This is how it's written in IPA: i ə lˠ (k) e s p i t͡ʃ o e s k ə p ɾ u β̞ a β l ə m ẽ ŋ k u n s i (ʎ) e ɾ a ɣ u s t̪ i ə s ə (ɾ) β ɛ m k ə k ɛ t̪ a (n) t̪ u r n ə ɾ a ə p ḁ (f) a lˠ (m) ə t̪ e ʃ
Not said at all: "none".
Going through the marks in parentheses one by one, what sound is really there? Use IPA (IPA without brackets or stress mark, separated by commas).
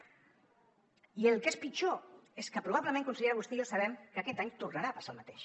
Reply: k, ʎ, none, ɲ, s, m